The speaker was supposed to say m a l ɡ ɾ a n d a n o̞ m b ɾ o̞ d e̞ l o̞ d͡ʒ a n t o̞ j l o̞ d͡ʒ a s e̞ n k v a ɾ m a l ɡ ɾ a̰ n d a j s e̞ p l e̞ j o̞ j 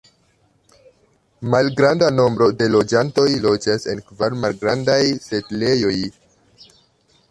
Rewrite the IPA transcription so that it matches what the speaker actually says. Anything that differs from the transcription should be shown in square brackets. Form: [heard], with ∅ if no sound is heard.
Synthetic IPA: m a l ɡ ɾ a n d a n o̞ m b ɾ o̞ d e̞ l o̞ d͡ʒ a n t o̞ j l o̞ d͡ʒ a s e̞ n k v a ɾ m a l ɡ ɾ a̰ n d a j s e̞ [t] l e̞ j o̞ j